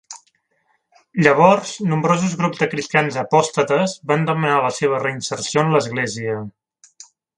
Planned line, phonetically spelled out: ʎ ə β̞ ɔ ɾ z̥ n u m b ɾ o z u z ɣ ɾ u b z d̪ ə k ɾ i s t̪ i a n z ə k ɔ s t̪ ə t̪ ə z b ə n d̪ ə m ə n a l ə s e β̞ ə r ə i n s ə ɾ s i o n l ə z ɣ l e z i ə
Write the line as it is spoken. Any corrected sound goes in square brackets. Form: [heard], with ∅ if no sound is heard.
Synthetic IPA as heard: ʎ ə β̞ ɔ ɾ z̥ n u m b ɾ o z u z ɣ ɾ u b z d̪ ə k ɾ i s t̪ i a n z ə [p] ɔ s t̪ ə t̪ ə z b [a] n d̪ ə m ə n a l ə s e β̞ ə r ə i n s ə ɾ s i o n l ə z ɣ l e z i ə